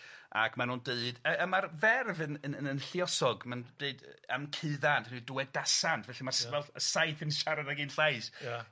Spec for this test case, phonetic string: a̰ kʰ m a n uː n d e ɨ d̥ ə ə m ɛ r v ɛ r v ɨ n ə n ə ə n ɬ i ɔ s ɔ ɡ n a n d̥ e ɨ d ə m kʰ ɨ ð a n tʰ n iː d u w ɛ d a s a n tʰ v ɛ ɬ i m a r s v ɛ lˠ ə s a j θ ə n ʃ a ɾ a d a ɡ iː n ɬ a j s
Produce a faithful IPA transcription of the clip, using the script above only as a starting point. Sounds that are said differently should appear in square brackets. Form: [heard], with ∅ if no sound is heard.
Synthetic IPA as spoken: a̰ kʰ m a n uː n d e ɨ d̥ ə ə m [a] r v ɛ r v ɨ n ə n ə ə n ɬ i ɔ s ɔ ɡ [m] a n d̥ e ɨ d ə m kʰ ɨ ð a n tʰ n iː d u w ɛ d a s a n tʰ v ɛ ɬ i m a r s v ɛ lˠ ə s a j θ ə n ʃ a ɾ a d a ɡ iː n ɬ a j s